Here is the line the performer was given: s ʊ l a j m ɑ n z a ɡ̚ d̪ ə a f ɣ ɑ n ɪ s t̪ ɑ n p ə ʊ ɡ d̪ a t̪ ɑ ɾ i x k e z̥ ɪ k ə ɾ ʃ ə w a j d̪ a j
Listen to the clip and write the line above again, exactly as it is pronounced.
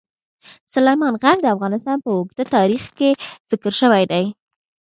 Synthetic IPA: s ʊ l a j m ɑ n ɣ a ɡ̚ d̪ ə a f ɣ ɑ n ɪ s t̪ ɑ n p ə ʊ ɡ d̪ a t̪ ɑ ɾ i x k e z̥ ɪ k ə ɾ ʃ ə w a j d̪ a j